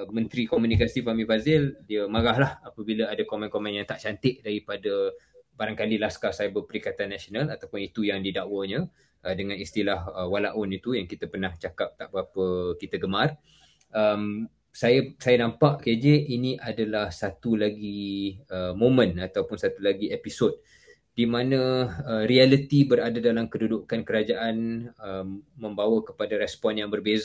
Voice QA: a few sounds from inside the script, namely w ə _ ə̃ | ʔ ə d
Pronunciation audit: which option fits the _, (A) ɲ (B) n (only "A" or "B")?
A